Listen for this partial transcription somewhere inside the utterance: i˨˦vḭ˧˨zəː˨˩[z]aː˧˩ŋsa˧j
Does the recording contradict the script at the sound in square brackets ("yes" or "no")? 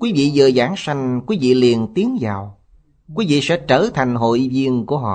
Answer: no